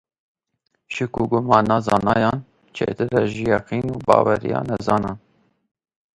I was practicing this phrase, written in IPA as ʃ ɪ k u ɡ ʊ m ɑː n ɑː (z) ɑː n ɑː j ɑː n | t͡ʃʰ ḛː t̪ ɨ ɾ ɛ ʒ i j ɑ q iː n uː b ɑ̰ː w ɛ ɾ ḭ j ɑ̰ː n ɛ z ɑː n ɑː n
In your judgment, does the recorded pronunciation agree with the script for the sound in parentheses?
yes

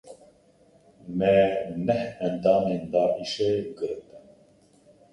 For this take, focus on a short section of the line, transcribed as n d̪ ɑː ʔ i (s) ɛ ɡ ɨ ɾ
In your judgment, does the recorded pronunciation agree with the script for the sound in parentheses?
no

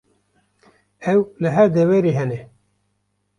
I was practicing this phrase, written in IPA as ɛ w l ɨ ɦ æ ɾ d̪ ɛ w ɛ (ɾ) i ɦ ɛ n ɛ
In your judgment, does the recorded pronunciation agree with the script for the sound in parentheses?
yes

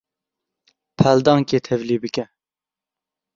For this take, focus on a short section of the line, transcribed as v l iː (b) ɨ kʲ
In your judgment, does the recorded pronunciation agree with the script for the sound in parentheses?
yes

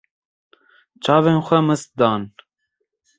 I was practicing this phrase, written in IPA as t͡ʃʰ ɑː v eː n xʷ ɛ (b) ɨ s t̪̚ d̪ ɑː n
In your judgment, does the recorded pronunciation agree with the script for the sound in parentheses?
no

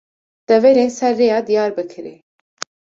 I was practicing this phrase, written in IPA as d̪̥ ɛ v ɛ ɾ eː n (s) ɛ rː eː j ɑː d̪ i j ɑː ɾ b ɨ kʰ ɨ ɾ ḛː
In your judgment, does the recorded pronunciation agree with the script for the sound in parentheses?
yes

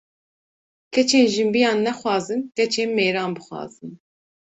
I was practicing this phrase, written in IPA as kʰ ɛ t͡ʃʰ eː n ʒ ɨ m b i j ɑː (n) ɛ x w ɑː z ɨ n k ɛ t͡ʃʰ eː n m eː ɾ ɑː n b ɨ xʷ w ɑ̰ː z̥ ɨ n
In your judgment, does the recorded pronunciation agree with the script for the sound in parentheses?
no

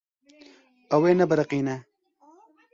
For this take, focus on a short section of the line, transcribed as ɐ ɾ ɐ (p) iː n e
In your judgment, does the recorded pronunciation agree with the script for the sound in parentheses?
no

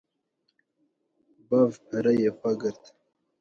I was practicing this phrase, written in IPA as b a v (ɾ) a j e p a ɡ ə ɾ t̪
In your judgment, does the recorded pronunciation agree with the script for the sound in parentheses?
yes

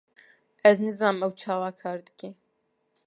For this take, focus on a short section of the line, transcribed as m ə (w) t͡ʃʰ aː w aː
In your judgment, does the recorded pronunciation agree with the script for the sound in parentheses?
yes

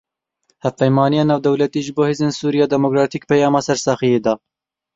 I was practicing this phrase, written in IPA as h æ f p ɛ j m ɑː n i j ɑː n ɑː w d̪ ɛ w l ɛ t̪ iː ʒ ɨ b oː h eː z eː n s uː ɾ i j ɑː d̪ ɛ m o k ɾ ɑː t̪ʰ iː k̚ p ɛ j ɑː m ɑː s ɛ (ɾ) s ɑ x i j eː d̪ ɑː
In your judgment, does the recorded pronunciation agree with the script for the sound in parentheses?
yes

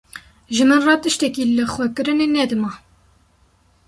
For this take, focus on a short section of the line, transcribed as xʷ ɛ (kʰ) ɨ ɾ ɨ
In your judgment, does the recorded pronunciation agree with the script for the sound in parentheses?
no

